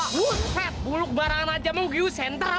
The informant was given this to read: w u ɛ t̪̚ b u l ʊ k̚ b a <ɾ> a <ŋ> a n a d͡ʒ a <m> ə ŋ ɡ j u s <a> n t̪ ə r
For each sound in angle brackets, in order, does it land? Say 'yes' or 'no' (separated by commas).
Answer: yes, yes, yes, no